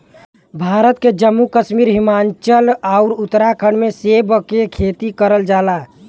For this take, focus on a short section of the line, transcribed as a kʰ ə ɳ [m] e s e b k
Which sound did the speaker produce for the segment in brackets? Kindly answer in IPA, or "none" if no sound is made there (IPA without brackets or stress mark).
m